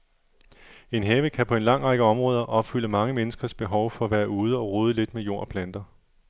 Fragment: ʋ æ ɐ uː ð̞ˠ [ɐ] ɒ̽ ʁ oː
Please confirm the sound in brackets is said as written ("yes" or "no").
no